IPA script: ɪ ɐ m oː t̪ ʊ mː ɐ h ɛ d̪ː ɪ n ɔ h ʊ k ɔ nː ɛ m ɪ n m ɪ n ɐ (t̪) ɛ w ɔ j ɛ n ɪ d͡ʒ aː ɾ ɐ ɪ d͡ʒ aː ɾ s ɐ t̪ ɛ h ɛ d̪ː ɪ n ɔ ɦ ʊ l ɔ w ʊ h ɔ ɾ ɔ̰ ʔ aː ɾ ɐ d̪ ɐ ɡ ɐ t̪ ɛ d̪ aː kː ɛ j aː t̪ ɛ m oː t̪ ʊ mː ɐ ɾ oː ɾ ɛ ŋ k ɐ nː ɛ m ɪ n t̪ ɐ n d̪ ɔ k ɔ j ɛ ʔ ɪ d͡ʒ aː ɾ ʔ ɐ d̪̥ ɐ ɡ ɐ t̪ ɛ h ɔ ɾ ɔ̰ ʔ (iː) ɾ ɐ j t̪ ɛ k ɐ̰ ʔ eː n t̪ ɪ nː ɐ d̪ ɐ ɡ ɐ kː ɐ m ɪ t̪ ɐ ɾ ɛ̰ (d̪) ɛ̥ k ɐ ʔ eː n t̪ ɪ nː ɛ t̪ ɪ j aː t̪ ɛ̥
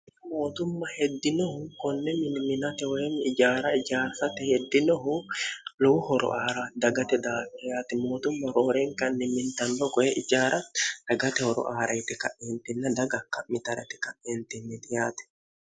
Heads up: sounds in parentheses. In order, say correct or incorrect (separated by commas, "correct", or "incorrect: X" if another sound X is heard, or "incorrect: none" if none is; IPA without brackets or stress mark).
correct, incorrect: aː, incorrect: t̪